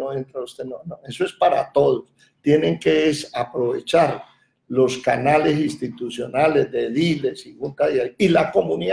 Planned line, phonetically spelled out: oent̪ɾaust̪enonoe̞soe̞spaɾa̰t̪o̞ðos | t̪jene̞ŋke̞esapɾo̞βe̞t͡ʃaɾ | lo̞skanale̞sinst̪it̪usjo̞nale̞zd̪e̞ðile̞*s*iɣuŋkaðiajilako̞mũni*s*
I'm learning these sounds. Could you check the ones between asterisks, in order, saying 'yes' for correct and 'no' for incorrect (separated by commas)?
yes, no